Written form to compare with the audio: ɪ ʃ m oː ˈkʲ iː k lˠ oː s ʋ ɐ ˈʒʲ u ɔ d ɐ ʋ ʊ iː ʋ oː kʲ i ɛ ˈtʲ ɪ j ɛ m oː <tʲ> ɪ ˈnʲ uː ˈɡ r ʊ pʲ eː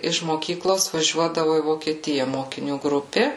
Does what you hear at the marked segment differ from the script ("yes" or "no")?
yes